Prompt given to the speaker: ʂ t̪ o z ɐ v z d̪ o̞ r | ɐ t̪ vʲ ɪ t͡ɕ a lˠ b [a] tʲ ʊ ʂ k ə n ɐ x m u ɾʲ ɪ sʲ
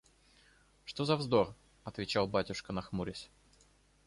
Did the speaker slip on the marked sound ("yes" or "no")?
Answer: no